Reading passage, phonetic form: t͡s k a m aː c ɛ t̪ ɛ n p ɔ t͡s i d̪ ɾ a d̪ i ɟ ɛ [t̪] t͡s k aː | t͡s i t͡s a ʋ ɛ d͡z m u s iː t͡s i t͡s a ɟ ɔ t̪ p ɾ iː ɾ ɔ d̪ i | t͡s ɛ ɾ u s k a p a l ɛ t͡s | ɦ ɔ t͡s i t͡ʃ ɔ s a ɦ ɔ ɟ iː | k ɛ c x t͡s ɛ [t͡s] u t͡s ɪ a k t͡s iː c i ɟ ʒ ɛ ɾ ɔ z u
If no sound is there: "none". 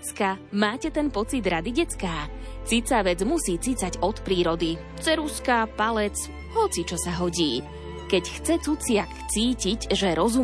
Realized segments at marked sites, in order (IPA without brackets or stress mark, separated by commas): none, t͡s